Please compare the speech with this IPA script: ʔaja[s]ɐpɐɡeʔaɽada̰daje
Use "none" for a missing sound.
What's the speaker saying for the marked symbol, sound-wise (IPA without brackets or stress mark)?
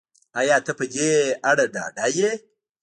t